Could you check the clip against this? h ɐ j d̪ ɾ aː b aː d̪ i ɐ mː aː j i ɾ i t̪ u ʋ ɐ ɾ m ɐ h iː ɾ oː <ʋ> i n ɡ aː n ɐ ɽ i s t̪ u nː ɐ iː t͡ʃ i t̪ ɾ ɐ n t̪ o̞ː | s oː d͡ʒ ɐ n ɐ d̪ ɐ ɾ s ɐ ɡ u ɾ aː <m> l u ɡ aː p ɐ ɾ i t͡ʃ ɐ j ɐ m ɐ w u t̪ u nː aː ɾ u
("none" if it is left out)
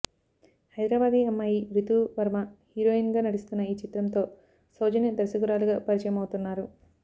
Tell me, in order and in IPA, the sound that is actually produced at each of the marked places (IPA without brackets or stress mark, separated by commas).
none, none